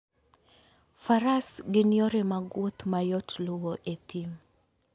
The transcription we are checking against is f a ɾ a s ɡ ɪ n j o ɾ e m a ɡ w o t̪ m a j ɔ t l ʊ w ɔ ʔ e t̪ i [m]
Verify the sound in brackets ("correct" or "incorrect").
correct